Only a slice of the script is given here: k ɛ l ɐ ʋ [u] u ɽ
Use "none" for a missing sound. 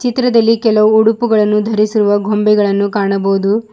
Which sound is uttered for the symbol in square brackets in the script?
u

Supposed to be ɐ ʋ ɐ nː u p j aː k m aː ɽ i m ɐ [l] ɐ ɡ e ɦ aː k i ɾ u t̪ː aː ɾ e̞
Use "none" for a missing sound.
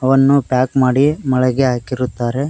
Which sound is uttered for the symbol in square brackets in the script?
ɭ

